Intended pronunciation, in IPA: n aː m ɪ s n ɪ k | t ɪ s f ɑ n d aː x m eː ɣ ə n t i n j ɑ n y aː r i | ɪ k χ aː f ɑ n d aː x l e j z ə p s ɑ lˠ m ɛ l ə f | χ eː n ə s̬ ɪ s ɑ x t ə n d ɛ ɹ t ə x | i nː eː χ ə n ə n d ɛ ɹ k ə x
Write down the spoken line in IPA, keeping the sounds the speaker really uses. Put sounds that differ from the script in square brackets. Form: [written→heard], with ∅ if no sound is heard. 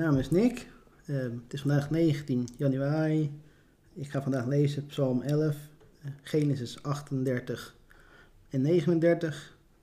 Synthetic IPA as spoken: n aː m ɪ s n ɪ k | t ɪ s f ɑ n d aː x [m→n] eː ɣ ə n t i n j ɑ n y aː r i | ɪ k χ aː f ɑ n d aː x l e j z ə p s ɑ lˠ m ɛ l ə f | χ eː n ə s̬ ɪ s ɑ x t ə n d ɛ ɹ t ə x | [i→ɛ] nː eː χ ə n ə n d ɛ ɹ [k→t] ə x